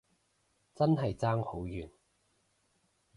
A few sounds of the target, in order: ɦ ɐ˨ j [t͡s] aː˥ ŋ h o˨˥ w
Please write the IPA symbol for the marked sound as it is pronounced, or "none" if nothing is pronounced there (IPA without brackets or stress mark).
t͡s